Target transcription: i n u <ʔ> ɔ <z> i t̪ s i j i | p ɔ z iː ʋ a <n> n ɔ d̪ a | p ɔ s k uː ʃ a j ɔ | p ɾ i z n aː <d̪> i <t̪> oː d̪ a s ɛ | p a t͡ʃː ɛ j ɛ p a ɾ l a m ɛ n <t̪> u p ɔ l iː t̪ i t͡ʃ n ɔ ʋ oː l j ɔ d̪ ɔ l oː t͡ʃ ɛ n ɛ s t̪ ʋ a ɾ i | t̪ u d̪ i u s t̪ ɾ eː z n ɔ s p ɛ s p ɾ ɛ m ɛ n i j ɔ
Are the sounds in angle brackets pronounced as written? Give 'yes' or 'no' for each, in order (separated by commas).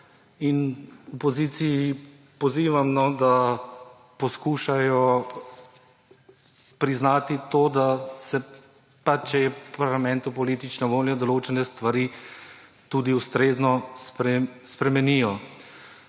no, yes, no, no, yes, yes